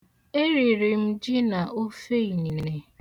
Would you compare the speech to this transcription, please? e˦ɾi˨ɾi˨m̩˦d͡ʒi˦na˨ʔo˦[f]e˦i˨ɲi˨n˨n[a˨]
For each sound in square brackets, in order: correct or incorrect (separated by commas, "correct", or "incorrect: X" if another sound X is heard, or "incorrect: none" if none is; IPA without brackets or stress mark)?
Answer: correct, incorrect: e˨